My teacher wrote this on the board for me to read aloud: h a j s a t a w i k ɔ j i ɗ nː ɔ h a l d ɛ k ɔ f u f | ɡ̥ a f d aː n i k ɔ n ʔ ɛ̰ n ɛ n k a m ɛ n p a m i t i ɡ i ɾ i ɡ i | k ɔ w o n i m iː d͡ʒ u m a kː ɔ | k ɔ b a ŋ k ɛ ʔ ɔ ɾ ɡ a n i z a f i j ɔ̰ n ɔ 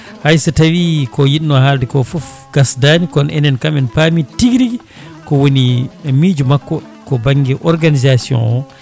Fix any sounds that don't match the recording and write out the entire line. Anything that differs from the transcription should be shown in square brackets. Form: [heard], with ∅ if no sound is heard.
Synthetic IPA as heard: h a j s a t a w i k ɔ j i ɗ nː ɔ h a l d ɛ k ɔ f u f | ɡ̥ a [s] d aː n i k ɔ n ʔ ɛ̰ n ɛ n k a m ɛ n p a m i t i ɡ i ɾ i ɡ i | k ɔ w o n i m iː d͡ʒ u m a kː ɔ | k ɔ b a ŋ [ɡ] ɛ ʔ ɔ ɾ ɡ a n i z a [s] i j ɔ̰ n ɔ